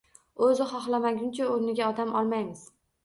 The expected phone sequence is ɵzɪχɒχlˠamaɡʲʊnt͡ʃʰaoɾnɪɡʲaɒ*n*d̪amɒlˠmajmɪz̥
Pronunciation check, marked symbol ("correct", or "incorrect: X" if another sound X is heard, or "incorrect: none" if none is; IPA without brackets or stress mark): incorrect: none